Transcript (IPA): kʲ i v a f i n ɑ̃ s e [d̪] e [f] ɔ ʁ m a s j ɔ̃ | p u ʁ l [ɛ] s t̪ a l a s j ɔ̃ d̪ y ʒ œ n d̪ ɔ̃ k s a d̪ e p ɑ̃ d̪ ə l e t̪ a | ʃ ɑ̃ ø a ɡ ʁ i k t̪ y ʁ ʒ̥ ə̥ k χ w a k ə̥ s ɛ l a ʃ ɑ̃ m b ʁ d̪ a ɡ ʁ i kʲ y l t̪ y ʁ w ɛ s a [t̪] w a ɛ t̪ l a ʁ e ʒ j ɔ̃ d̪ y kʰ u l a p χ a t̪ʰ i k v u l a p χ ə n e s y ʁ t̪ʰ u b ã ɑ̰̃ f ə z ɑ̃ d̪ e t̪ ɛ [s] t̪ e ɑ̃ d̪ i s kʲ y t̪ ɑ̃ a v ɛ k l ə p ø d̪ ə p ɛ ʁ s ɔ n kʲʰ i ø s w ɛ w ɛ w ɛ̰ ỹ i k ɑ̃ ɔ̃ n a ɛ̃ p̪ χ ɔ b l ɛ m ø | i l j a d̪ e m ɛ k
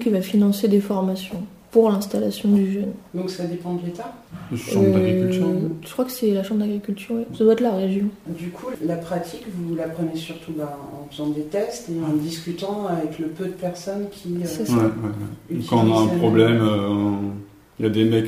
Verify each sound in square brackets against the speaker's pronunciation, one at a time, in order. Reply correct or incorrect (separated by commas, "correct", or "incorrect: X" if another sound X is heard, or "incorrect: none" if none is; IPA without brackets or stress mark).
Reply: correct, correct, incorrect: ɛ̃, incorrect: d̪, correct